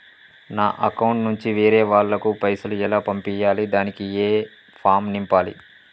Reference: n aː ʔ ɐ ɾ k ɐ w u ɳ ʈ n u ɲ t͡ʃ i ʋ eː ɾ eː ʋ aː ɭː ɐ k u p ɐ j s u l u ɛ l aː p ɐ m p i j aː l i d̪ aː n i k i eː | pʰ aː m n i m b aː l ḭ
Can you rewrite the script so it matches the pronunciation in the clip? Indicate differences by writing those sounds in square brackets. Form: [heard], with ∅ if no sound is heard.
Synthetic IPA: n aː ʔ ɐ [∅] k ɐ w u ɳ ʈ n u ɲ t͡ʃ i ʋ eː ɾ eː ʋ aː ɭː ɐ k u p ɐ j s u l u ɛ l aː p ɐ m p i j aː l i d̪ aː n i k i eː | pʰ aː m n i m [p] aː l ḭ